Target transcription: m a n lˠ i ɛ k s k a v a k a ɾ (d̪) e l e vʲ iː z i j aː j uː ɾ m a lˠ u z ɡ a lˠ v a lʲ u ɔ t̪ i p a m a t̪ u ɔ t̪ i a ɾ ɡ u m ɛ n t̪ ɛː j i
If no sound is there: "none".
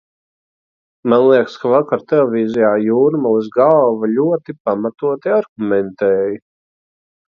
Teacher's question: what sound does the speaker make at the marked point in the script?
t̪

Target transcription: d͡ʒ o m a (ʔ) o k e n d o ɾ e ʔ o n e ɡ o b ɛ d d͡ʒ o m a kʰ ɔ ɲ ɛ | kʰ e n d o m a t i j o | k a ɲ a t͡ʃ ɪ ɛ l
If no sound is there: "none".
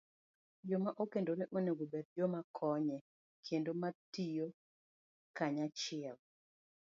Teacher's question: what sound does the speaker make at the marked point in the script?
ʔ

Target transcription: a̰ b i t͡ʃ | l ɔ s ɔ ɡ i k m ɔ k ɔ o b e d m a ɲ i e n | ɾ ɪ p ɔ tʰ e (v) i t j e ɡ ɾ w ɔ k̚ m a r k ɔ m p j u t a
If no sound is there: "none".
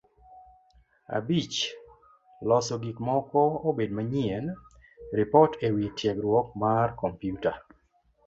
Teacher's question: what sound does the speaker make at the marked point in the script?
w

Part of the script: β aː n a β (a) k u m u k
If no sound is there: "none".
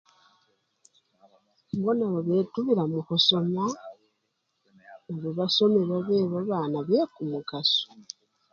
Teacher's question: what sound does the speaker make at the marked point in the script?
e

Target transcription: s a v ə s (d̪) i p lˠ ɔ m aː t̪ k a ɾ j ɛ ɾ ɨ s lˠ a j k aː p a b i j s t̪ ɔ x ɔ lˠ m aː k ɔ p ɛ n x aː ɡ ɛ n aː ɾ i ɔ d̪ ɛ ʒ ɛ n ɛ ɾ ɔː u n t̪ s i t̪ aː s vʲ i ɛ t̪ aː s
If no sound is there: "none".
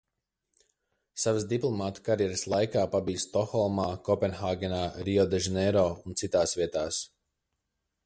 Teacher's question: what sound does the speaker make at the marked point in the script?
d̪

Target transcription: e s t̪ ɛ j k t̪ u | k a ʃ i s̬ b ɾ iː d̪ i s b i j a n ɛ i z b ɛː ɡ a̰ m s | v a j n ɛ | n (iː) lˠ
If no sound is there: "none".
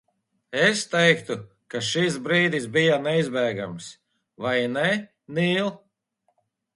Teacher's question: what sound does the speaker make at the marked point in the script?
iː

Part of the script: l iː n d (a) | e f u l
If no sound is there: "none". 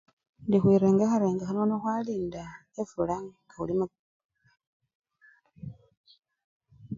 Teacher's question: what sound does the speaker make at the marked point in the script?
a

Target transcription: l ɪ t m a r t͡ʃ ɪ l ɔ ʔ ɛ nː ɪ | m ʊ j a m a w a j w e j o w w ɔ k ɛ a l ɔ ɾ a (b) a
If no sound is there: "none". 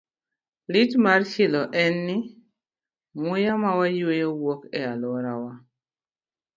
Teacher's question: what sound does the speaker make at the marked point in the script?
w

